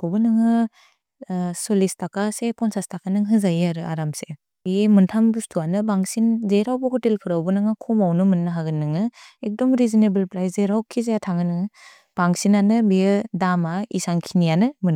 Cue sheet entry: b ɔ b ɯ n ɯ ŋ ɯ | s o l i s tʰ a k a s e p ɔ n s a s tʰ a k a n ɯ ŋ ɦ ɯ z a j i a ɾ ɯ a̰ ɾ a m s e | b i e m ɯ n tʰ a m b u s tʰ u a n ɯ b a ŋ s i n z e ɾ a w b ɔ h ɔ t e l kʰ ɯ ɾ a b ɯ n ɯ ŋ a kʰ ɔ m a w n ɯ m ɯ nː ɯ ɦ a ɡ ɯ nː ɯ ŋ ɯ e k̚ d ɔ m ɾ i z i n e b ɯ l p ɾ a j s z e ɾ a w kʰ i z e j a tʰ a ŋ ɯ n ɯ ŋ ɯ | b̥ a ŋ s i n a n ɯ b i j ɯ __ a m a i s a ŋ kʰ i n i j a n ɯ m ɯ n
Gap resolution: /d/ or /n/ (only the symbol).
d